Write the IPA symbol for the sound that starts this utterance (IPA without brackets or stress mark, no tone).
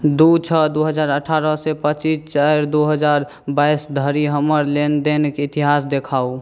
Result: d̪